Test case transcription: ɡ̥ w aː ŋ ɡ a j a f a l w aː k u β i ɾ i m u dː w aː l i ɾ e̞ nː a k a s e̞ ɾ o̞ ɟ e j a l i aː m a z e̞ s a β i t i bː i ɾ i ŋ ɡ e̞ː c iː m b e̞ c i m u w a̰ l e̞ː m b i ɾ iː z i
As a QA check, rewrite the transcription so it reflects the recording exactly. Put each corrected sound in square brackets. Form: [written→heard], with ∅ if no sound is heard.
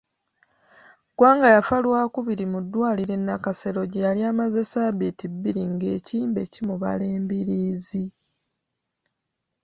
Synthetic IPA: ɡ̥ w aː ŋ ɡ a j a f a l w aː k u β i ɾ i m u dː w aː l i ɾ e̞ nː a k a s e̞ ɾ o̞ ɟ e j a l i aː m a z e̞ s a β i t i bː i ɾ i ŋ ɡ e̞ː c iː m b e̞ c i m u [w→β] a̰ l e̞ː m b i ɾ iː z i